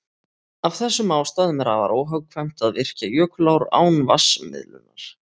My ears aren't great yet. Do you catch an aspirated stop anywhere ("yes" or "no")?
yes